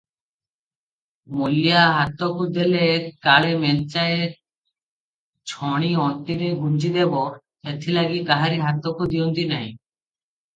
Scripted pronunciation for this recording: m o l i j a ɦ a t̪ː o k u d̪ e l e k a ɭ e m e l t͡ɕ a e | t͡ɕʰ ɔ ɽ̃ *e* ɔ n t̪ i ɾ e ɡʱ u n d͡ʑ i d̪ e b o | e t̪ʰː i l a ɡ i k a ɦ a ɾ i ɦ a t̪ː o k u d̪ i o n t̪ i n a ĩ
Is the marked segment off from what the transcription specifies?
yes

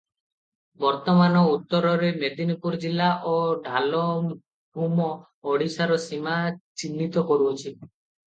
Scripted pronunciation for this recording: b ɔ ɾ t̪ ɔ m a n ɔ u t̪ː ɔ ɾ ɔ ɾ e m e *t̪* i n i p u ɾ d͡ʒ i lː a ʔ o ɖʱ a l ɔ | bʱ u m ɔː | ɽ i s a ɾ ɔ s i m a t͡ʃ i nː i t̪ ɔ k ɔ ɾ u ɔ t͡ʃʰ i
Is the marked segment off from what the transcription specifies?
yes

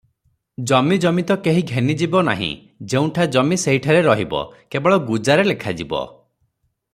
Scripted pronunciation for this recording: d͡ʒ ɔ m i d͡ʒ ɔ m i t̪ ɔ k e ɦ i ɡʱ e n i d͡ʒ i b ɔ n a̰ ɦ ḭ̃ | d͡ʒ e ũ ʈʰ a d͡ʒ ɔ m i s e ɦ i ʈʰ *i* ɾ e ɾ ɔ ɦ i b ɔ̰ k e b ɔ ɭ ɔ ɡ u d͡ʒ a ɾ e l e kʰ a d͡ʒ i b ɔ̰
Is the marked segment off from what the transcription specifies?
yes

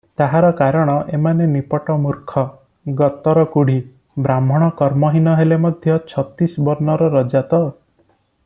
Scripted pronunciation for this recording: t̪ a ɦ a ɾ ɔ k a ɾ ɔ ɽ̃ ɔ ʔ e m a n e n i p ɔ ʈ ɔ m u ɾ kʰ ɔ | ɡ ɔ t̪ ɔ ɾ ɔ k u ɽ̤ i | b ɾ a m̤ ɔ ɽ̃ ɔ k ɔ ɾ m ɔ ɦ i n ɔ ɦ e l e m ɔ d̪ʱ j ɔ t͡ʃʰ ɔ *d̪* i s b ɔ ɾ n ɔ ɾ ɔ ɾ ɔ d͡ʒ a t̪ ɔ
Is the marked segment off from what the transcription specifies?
yes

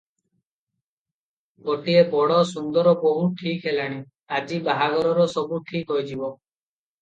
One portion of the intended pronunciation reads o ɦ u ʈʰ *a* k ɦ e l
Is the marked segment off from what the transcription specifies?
yes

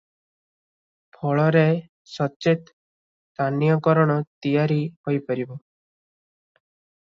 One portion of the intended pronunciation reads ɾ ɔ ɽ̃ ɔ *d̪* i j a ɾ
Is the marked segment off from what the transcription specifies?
yes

